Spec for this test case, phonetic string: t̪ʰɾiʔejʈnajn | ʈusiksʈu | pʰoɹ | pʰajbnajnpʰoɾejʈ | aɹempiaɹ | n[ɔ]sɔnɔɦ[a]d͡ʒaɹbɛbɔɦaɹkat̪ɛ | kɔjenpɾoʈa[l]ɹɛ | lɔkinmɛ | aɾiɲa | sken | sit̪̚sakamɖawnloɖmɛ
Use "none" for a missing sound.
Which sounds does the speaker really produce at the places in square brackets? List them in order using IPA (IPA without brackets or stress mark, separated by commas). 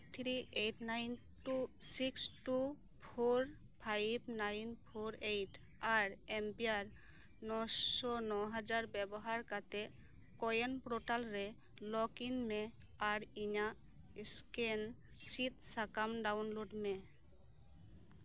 ɔ, a, l